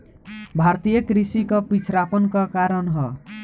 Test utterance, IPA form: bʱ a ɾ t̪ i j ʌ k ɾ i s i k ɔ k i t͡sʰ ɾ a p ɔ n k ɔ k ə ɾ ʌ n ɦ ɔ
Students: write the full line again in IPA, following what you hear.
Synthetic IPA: bʱ a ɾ t̪ i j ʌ k ɾ i s i k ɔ p i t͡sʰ ɾ a p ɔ n k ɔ k a ɾ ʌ n ɦ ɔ